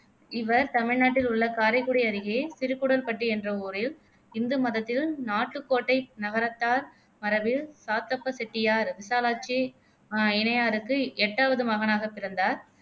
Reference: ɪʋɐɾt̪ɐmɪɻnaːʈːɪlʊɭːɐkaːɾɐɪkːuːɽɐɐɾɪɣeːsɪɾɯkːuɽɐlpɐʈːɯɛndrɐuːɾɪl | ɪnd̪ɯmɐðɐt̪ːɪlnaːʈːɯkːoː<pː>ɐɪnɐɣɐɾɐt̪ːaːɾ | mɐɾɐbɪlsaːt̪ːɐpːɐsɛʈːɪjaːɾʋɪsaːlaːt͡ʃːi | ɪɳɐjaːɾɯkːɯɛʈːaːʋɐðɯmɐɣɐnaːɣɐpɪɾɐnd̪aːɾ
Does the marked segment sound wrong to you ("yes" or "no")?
yes